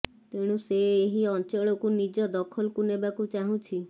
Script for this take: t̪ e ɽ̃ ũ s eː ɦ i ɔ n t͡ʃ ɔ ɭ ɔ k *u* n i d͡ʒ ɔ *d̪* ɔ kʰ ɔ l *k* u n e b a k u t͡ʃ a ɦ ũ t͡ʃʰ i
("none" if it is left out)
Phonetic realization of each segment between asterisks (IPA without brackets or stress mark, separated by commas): u, d̪, k